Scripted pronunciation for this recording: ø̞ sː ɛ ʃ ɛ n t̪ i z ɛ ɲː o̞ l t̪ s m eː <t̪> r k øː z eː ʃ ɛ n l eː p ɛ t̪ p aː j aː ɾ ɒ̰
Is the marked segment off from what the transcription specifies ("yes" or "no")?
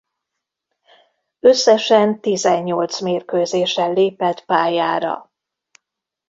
yes